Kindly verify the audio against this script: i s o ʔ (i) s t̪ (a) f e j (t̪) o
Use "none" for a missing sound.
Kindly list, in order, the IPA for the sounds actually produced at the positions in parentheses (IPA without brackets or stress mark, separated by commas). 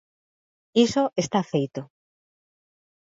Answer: e, a, t̪